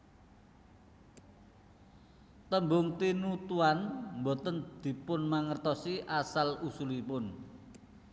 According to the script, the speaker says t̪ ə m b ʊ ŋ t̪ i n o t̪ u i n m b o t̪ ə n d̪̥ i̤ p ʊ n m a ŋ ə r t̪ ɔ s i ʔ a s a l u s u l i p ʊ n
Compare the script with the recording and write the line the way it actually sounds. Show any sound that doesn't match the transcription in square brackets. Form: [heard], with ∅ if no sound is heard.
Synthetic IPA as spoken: t̪ ə m b ʊ ŋ t̪ i n [u] t̪ u [a] n m b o t̪ ə n d̪̥ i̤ p ʊ n m a ŋ ə r t̪ ɔ s i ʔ a s a l u s u l i p ʊ n